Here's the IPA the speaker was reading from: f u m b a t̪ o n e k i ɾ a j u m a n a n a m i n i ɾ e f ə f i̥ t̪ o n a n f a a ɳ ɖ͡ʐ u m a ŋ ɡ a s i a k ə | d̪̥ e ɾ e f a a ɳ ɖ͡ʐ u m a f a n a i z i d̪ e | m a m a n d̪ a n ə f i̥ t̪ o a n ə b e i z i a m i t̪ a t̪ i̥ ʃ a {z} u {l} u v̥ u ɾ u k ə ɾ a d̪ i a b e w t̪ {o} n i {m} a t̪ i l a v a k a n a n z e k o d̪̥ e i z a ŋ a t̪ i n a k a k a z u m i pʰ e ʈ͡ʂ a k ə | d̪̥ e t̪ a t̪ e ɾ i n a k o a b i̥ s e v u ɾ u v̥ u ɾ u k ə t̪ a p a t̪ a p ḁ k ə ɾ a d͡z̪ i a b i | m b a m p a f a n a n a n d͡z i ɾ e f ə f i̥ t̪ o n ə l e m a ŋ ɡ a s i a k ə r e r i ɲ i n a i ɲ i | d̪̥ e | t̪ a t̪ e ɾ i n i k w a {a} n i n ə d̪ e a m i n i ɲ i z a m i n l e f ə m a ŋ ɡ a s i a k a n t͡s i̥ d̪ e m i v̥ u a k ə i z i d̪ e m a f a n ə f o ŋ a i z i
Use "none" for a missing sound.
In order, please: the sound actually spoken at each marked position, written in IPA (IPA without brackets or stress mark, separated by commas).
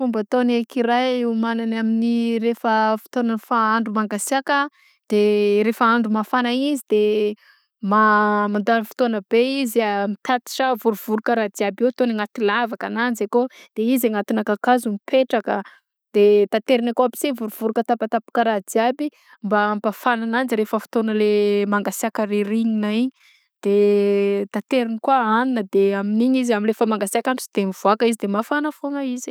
v, ɾ, o, ŋ, a